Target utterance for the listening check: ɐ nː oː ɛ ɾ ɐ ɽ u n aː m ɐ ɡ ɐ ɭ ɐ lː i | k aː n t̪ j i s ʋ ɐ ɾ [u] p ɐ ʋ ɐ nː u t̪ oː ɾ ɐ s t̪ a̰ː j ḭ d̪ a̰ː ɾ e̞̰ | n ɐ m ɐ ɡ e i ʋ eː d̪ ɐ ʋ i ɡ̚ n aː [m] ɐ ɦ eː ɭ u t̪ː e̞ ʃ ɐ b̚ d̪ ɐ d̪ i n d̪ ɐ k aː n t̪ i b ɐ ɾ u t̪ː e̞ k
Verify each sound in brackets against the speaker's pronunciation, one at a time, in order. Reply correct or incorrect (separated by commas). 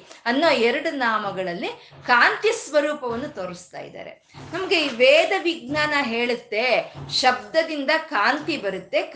incorrect, incorrect